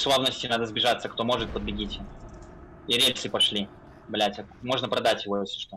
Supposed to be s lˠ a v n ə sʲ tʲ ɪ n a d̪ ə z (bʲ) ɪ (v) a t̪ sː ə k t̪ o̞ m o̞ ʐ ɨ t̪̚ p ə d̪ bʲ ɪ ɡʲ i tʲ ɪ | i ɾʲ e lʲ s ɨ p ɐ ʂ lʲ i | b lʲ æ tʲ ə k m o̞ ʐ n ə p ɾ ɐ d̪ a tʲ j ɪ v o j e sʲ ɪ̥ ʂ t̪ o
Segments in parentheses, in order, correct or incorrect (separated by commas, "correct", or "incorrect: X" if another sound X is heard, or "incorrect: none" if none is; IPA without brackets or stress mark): correct, incorrect: ʐ